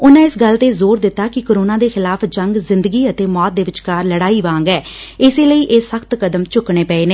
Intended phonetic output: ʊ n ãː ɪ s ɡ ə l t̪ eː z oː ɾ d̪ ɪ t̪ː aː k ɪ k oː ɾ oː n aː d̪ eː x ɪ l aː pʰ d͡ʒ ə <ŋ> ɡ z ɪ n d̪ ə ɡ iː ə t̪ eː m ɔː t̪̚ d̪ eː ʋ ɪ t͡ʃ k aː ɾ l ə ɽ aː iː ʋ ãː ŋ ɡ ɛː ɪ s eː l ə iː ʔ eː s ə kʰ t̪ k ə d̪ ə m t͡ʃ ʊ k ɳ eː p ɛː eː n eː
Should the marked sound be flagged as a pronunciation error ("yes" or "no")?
no